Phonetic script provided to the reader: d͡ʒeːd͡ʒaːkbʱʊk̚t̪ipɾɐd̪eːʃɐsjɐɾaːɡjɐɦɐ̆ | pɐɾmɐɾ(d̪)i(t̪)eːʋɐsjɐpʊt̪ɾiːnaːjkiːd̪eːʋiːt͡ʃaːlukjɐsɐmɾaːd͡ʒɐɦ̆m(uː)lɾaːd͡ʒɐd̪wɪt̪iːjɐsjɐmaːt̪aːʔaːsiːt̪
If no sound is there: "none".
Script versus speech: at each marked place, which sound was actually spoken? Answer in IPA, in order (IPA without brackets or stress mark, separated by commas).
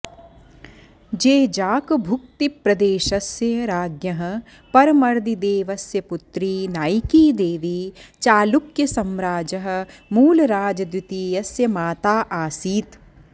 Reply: d̪, d̪, uː